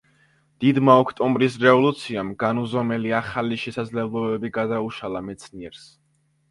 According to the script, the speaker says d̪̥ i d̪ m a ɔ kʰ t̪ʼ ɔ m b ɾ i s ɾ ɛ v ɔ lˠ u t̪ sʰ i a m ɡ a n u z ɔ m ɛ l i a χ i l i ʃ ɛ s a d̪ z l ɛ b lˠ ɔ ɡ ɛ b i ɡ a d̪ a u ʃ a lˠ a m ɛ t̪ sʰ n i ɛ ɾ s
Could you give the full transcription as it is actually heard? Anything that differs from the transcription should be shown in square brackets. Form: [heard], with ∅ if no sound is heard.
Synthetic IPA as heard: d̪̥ i d̪ m a ɔ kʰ t̪ʼ ɔ m b ɾ i s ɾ ɛ v ɔ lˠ u t̪ sʰ i a m ɡ a n u z ɔ m ɛ l i a χ [a] l i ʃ ɛ s a d̪ z l ɛ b lˠ ɔ [b] ɛ b i ɡ a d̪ a u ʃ a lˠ a m ɛ t̪ sʰ n i ɛ ɾ s